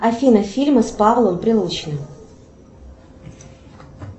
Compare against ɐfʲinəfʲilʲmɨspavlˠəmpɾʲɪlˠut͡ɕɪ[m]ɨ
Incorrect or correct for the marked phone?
incorrect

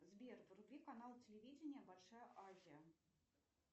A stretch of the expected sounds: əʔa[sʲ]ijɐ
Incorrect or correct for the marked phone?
incorrect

